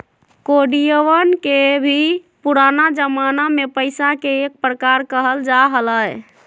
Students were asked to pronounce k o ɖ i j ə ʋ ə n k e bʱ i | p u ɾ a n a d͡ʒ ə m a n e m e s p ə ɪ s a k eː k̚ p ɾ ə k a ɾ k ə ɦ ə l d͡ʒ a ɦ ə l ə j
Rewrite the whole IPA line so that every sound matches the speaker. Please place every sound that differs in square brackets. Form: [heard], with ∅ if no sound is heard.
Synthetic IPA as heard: k o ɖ i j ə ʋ ə n k e bʱ i | p u ɾ a n a d͡ʒ ə m a n [a] m e [∅] p ə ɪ s a k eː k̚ p ɾ ə k a ɾ k ə ɦ ə l d͡ʒ a ɦ ə l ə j